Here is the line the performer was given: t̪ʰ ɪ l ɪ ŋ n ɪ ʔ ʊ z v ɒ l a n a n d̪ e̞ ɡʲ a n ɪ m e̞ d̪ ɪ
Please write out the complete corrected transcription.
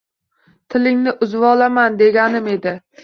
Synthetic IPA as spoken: t̪ʰ ɪ l ɪ ŋ n ɪ ʔ ʊ z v ɒ l a m a n d̪ e̞ ɡʲ a n ɪ m e̞ d̪ ɪ